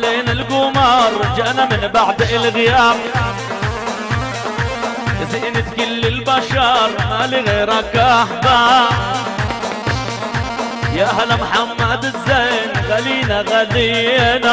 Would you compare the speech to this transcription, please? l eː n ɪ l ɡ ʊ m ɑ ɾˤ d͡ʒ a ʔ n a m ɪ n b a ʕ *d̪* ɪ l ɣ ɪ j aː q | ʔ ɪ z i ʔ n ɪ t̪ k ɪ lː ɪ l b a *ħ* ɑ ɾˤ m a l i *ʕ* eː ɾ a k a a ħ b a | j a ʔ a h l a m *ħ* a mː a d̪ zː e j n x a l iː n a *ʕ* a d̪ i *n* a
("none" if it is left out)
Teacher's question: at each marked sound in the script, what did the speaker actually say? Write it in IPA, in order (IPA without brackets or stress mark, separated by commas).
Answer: d̪, ʃ, ɣ, ħ, ɣ, n